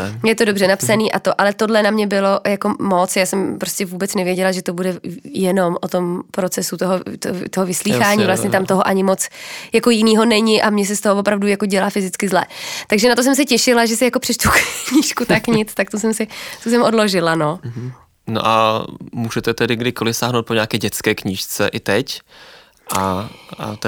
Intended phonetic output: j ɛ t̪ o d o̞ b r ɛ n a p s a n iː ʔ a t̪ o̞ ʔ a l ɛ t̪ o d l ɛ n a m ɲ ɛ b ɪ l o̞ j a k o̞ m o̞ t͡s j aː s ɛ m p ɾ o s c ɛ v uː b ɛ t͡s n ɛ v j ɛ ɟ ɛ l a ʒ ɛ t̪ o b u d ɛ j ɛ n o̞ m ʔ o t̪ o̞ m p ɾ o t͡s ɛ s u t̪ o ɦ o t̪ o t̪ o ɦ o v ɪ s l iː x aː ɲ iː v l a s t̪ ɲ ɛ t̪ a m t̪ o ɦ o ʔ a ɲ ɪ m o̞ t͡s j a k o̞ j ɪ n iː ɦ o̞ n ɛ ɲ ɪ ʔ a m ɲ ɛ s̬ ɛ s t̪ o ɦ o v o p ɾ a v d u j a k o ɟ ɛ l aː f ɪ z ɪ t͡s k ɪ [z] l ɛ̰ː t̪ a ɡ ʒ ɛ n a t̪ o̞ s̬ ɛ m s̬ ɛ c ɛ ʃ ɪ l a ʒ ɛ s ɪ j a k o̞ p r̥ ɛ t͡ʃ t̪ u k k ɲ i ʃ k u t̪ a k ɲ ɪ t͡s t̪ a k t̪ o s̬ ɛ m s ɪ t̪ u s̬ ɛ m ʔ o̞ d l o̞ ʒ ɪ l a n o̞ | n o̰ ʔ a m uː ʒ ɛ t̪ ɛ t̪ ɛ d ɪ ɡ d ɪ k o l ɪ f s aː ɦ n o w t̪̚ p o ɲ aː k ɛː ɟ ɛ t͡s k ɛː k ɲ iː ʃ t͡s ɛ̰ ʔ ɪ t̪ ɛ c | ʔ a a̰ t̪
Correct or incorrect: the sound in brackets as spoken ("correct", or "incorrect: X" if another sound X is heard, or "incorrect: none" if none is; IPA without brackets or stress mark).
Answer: correct